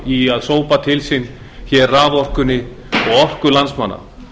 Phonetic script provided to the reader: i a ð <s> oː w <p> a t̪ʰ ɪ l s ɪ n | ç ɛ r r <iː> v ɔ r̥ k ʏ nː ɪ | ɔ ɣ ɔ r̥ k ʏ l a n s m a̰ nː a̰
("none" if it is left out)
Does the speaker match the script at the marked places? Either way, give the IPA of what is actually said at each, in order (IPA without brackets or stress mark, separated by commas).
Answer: s, p, aː